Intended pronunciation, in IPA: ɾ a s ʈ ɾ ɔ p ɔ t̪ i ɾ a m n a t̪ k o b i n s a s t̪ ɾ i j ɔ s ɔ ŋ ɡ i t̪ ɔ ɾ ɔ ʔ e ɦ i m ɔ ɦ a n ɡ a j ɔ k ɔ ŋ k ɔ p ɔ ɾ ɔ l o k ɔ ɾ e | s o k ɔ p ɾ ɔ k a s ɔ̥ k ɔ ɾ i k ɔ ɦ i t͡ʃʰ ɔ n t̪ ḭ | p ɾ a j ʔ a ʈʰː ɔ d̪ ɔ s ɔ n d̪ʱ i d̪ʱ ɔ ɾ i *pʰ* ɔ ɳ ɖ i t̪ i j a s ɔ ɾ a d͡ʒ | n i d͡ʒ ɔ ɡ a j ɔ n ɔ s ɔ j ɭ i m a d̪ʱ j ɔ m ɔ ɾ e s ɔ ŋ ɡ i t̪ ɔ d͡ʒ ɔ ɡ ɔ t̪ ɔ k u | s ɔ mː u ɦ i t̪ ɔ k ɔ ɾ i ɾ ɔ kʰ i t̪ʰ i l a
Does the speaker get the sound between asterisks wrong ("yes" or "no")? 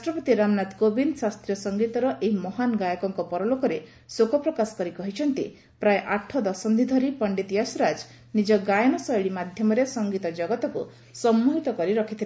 yes